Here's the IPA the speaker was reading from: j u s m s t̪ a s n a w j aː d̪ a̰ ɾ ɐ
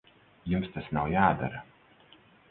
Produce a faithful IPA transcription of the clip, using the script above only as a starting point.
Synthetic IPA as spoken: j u m s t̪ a s n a w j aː d̪ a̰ ɾ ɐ